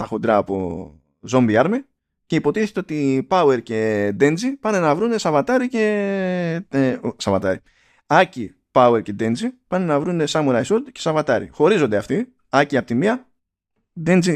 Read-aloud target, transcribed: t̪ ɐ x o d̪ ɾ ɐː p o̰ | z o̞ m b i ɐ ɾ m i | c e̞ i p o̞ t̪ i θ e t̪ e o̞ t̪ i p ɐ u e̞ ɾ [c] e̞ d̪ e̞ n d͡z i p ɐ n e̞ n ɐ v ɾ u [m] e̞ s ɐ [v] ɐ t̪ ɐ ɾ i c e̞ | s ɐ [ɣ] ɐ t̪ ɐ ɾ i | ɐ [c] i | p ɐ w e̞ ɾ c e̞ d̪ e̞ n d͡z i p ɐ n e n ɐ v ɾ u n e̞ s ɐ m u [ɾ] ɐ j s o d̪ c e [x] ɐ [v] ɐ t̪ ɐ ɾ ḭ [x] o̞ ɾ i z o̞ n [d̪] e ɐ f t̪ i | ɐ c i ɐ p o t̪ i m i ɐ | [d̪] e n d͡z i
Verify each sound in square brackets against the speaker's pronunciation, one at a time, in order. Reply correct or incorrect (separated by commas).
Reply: correct, incorrect, correct, incorrect, correct, correct, incorrect, correct, correct, correct, correct